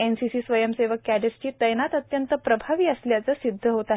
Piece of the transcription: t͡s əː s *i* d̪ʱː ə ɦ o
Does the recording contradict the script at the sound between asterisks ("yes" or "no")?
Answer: no